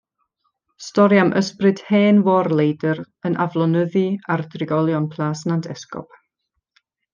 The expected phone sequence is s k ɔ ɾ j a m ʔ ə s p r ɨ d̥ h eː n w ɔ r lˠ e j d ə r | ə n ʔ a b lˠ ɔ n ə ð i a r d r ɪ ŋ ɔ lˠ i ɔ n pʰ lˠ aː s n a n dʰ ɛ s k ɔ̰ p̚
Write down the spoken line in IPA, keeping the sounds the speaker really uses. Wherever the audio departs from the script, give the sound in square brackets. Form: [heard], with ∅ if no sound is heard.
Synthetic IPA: s [t] ɔ ɾ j a m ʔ ə s p r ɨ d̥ h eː n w ɔ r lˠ e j d ə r | ə n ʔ a [v] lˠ ɔ n ə ð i a r d r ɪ [ɡ] ɔ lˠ [j] ɔ n pʰ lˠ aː s n a n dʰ ɛ s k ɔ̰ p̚